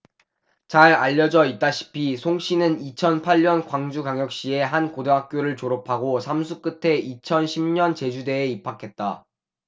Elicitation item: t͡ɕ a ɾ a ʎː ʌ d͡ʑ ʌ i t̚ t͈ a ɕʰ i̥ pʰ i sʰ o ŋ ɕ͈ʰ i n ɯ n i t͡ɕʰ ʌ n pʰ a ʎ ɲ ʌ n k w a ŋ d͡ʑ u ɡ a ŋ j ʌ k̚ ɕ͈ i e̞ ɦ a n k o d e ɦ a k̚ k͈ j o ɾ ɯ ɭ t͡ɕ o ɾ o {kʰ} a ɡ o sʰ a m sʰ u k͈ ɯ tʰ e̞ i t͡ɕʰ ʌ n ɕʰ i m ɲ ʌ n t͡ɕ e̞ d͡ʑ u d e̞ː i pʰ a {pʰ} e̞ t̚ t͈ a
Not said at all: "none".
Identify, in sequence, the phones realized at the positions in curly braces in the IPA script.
pʰ, kʰ

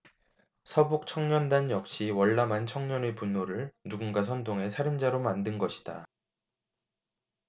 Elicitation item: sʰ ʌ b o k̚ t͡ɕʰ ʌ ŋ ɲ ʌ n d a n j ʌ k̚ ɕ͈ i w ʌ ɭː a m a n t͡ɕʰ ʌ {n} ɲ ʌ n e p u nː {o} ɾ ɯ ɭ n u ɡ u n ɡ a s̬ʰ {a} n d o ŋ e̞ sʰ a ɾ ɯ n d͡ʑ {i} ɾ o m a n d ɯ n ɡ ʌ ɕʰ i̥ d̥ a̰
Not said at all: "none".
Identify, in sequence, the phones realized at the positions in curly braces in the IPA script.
ŋ, o, ʌ, a

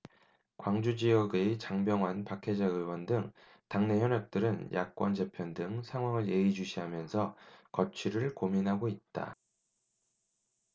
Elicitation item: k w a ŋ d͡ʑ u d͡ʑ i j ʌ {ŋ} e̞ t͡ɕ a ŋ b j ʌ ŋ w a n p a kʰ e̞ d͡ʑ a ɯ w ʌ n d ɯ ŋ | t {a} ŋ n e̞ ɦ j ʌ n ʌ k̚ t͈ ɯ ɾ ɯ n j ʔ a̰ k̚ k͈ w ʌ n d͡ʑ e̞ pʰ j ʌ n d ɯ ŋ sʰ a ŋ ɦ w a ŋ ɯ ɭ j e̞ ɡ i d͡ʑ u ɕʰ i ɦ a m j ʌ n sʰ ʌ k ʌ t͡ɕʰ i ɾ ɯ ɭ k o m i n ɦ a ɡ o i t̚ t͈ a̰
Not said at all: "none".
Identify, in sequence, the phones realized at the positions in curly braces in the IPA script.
ɡ, a

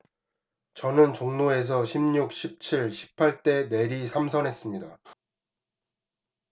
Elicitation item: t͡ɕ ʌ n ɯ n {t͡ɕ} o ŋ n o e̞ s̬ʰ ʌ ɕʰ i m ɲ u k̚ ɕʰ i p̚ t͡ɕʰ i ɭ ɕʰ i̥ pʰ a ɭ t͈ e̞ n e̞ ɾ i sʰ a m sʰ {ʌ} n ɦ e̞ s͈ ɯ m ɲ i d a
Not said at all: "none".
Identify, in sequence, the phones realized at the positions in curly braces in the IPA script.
t͡ɕ, ʌ

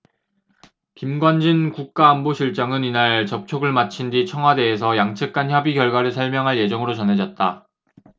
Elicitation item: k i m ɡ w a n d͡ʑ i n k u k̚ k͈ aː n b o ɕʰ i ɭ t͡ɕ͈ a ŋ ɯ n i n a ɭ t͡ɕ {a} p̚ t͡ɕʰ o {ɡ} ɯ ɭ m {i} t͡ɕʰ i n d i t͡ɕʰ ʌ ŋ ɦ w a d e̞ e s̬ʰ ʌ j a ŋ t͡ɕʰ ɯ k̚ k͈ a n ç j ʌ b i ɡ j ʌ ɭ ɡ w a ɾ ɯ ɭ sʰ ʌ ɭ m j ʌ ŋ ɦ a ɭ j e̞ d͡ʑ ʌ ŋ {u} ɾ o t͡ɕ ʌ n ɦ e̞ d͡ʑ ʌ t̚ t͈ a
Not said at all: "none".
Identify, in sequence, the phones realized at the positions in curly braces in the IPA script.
ʌ, ɡ, a, ɯ

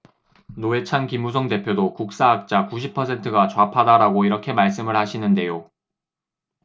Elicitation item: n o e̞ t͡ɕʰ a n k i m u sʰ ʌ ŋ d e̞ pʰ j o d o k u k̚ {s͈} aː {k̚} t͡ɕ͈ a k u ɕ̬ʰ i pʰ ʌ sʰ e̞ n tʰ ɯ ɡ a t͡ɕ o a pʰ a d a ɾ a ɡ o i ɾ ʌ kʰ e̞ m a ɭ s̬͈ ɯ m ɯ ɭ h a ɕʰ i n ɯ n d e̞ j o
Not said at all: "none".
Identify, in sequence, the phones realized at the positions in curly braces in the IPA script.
s͈, k̚

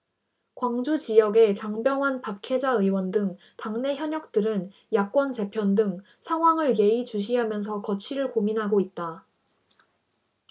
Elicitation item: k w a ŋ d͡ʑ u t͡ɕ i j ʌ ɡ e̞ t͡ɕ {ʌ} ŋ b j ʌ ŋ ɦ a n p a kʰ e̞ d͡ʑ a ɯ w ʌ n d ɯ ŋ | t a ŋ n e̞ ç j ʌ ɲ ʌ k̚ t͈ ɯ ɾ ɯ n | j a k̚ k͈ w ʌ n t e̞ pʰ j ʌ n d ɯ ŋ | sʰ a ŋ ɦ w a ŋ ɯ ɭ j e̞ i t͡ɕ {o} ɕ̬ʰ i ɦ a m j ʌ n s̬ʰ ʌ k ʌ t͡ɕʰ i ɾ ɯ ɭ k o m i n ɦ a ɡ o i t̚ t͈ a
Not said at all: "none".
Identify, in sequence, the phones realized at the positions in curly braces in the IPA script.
a, u

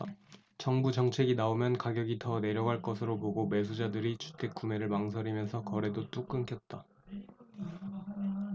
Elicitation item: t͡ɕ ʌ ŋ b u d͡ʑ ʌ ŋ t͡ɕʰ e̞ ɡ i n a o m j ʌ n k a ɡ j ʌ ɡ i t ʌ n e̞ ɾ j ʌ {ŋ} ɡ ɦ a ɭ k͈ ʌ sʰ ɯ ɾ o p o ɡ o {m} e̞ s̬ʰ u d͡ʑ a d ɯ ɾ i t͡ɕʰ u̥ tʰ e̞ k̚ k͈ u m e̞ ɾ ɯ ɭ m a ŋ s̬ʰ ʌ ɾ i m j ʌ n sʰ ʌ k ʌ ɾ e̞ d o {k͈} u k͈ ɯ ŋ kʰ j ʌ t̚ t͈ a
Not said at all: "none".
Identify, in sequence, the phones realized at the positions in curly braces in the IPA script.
none, m, t͈

